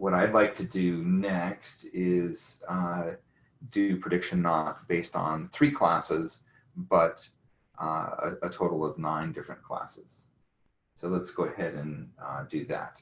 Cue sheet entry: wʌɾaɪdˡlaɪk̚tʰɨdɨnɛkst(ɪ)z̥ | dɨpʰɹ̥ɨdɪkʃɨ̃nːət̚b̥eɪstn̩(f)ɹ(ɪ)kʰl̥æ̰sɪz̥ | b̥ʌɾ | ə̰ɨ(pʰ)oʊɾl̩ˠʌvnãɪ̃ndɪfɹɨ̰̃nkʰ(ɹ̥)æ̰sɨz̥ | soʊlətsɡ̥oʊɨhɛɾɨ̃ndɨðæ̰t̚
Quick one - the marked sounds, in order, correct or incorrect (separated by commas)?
correct, incorrect, incorrect, incorrect, incorrect